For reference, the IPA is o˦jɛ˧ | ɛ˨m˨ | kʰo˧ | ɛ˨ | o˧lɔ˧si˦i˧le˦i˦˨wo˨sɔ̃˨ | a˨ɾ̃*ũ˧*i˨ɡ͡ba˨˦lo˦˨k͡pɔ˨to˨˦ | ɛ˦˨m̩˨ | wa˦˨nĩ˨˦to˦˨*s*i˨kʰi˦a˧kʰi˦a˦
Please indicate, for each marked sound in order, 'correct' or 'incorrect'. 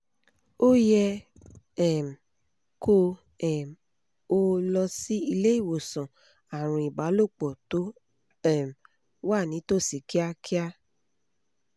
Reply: correct, correct

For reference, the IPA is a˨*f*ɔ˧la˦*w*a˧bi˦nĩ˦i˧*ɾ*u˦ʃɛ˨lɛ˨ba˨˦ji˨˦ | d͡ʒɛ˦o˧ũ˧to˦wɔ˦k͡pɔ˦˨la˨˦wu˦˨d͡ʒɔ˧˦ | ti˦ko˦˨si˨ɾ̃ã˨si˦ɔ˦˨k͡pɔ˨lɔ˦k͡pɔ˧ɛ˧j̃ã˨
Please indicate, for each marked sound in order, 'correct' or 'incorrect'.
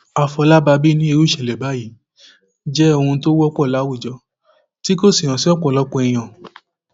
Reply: correct, incorrect: b, correct

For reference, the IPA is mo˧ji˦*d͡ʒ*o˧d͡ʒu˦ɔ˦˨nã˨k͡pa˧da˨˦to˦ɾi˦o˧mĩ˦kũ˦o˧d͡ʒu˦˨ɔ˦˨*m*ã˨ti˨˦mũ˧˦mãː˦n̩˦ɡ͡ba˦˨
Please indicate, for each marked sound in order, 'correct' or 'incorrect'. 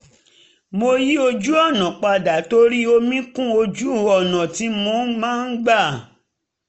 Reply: incorrect: none, incorrect: n

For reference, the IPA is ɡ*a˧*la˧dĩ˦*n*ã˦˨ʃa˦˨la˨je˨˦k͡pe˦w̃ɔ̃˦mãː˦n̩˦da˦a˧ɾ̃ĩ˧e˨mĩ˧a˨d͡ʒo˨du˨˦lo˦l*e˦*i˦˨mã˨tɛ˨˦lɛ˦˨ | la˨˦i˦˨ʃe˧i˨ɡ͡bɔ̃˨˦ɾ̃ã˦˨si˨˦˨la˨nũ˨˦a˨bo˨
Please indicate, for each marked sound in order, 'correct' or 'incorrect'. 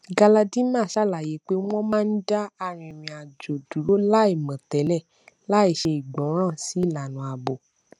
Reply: correct, incorrect: m, incorrect: a˦

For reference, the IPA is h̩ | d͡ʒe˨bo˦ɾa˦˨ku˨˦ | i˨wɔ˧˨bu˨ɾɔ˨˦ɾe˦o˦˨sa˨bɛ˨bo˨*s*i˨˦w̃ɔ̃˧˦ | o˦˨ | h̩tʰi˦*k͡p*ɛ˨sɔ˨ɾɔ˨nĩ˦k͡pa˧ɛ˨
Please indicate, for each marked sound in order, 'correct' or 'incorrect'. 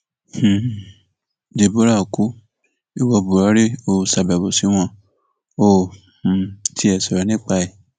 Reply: correct, incorrect: none

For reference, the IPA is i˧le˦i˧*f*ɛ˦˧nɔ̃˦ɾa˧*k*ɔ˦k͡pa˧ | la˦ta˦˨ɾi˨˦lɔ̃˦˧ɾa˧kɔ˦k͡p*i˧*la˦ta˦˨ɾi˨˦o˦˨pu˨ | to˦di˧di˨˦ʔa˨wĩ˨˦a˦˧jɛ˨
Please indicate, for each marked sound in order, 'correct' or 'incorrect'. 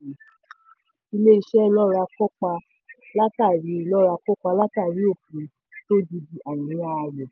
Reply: incorrect: ʃ, correct, incorrect: a˧

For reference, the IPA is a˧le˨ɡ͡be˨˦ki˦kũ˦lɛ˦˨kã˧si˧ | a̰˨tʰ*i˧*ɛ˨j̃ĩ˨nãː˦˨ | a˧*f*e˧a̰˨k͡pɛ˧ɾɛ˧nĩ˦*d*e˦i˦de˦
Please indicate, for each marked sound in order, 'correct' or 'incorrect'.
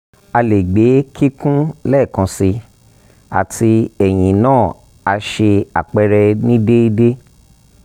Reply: correct, incorrect: ʃ, correct

